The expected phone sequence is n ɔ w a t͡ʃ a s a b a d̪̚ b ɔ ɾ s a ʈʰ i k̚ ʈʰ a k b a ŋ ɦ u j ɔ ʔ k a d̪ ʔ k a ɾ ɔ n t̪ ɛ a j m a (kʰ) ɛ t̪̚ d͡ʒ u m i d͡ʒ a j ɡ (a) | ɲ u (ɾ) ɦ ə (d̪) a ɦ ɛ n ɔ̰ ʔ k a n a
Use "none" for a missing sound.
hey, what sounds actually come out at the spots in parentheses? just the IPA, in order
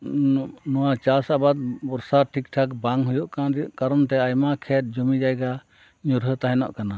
kʰ, a, ɾ, t̪

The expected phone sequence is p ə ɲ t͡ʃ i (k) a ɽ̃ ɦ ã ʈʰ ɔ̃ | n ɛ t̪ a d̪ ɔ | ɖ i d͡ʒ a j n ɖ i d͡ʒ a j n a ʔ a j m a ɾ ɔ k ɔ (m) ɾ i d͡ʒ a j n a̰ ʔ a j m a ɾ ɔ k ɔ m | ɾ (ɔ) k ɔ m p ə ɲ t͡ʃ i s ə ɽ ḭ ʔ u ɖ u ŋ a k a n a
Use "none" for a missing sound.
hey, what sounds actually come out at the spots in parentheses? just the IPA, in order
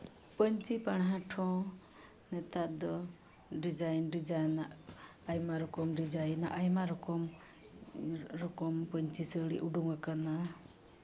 p, m, ɔ

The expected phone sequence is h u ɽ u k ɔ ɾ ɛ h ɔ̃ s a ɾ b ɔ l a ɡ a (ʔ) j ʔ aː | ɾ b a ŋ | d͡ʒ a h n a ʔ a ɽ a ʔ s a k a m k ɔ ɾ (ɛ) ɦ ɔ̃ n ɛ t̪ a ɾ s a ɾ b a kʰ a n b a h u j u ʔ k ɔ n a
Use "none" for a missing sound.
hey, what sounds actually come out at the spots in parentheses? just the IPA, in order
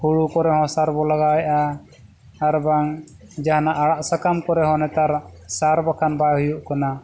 none, ɛ

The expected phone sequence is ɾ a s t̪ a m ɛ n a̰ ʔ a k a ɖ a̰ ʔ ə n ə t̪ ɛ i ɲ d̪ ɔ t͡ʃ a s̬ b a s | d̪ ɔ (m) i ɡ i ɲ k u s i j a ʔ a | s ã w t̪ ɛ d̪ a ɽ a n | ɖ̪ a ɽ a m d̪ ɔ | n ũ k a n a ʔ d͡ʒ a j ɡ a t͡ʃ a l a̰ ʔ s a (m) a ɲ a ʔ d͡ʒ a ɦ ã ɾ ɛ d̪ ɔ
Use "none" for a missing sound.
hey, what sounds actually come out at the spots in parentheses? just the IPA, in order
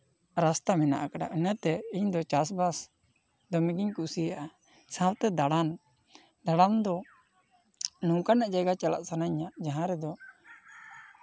m, n

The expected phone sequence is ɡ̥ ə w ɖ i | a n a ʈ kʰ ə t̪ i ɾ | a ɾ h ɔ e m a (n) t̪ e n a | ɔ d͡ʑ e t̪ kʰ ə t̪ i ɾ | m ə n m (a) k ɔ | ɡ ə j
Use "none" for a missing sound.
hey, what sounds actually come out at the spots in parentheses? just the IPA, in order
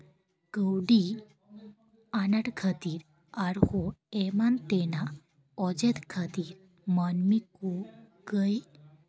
n, i

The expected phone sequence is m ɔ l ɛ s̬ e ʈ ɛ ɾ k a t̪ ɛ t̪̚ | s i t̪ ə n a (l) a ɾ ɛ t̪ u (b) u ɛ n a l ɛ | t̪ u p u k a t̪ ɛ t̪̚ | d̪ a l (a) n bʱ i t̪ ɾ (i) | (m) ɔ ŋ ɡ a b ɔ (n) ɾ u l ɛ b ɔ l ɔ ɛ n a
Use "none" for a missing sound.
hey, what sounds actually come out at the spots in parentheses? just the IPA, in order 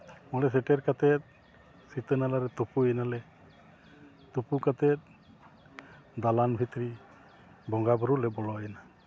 l, p, a, i, b, none

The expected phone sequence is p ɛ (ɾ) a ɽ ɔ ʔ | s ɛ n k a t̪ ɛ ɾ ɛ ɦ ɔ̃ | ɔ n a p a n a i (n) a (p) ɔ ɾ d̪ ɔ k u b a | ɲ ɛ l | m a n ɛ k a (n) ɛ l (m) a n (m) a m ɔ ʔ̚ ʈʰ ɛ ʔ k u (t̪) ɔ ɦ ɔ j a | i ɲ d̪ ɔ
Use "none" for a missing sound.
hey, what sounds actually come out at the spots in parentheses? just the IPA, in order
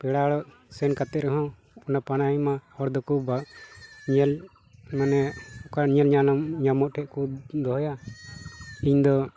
ɽ, m, none, ɲ, ɲ, ɲ, d̪

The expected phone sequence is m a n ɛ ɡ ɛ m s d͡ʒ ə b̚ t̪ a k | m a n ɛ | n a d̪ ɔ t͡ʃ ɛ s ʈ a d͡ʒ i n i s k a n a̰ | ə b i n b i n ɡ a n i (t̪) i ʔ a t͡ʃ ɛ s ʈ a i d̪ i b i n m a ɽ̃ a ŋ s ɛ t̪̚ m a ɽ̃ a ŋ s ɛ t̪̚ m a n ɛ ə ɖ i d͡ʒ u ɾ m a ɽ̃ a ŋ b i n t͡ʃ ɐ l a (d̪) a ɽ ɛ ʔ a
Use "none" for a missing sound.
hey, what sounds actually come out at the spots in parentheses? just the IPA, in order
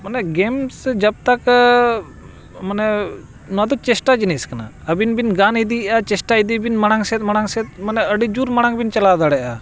d̪, d̪

